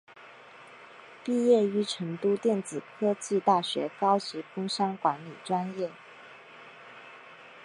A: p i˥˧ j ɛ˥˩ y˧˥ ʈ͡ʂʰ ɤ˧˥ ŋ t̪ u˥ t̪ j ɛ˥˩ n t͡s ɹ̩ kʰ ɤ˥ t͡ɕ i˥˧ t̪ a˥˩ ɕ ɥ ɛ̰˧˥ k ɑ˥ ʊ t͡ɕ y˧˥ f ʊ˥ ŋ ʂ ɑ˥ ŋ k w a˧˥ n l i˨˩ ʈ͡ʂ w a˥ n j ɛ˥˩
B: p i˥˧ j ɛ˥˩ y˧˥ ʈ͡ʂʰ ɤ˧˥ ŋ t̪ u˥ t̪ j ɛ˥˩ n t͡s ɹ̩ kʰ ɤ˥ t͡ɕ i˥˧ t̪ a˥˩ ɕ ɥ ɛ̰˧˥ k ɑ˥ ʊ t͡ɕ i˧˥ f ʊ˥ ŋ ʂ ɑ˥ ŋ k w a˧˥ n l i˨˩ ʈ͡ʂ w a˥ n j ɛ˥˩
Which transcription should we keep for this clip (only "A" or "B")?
B